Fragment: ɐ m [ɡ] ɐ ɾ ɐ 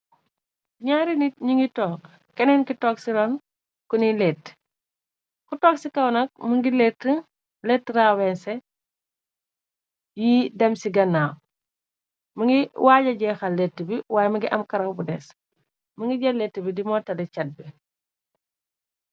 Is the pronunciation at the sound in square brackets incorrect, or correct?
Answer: incorrect